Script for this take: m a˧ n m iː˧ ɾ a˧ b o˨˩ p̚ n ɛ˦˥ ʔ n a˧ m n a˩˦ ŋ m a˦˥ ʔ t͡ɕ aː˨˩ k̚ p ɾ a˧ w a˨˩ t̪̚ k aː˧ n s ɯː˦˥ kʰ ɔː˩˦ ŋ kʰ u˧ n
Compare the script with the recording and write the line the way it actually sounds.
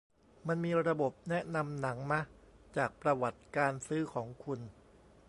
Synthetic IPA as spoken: m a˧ n m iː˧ ɾ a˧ b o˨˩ p̚ n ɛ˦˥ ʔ n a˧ m n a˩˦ ŋ m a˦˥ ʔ t͡ɕ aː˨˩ k̚ p ɾ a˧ w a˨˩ t̪̚ k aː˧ n s ɯː˦˥ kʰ ɔː˩˦ ŋ kʰ u˧ n